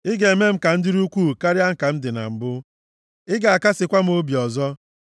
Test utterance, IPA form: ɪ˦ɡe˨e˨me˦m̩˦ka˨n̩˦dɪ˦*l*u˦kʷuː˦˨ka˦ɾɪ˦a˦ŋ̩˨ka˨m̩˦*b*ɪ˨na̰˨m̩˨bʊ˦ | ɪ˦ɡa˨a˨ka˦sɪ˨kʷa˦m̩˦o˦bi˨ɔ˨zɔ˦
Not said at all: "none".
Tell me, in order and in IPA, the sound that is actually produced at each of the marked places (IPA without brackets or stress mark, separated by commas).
ɾ, d